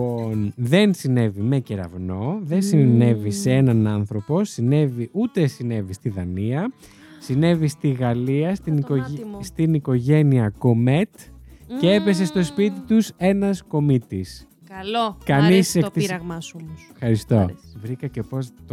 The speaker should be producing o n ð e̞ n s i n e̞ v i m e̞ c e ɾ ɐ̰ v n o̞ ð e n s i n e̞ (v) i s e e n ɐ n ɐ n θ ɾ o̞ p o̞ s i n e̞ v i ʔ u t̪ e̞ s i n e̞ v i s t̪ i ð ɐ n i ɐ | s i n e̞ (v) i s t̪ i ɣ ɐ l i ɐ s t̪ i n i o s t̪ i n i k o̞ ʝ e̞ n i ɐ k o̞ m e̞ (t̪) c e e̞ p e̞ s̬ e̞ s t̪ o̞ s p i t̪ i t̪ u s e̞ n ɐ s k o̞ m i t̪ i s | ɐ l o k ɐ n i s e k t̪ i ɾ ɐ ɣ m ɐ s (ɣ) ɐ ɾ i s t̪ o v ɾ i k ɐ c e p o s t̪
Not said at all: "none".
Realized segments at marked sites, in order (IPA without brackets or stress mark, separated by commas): v, v, t̪, x